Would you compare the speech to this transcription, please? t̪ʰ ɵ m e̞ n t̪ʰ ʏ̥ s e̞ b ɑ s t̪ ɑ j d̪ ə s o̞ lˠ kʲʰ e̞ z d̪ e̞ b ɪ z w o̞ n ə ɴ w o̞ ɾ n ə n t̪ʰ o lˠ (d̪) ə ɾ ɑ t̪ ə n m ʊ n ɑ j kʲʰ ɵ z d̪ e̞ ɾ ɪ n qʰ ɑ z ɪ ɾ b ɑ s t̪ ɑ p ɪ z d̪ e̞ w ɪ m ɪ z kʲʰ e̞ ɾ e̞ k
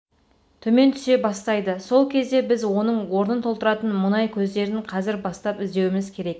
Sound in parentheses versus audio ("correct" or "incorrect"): incorrect